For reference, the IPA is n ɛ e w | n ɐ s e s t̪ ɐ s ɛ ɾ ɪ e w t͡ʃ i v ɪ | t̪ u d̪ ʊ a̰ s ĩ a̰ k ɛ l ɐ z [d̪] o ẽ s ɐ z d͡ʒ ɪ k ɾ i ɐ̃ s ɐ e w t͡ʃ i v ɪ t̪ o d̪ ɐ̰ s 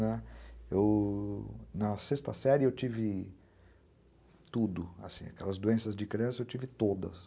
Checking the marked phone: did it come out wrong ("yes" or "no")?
no